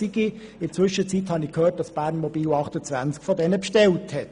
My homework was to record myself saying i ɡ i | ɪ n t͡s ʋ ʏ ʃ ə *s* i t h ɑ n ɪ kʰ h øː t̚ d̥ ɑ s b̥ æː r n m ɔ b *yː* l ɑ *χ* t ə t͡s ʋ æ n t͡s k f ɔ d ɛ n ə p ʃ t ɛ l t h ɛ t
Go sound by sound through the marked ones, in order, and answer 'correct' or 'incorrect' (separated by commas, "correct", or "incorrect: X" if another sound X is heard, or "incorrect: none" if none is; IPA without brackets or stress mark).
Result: incorrect: t͡s, incorrect: iː, correct